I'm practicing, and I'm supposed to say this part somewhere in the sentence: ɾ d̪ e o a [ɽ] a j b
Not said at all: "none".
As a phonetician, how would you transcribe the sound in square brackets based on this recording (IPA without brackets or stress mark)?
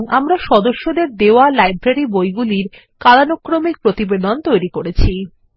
l